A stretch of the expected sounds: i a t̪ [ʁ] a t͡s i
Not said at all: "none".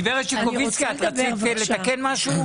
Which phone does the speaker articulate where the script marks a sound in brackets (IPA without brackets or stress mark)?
ʁ